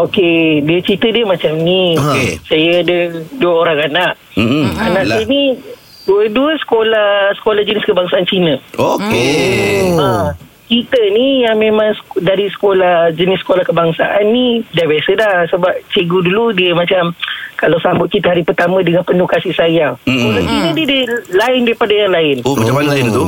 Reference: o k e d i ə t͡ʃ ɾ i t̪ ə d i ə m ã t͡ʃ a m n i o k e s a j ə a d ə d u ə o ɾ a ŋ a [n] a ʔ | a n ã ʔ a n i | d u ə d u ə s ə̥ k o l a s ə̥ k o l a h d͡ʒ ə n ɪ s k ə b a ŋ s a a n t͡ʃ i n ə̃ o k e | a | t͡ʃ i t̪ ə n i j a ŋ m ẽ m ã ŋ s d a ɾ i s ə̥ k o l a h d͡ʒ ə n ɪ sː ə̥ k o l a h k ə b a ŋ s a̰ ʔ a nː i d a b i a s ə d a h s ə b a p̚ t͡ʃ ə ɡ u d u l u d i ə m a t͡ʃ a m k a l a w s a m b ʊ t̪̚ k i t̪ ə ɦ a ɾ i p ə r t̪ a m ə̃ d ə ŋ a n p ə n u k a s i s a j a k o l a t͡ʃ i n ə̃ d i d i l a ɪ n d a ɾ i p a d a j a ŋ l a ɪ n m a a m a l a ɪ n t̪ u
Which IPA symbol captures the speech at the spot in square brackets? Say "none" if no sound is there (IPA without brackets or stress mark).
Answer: n